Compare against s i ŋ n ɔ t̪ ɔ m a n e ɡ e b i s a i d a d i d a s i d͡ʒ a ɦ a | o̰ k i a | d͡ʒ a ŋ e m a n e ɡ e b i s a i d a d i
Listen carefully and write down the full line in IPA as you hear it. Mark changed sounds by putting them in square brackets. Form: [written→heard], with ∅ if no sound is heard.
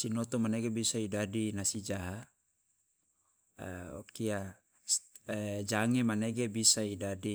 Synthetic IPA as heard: s i [ŋ→∅] n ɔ t̪ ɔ m a n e ɡ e b i s a i d a d i [d→n] a s i d͡ʒ a ɦ a | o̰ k i a | d͡ʒ a ŋ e m a n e ɡ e b i s a i d a d i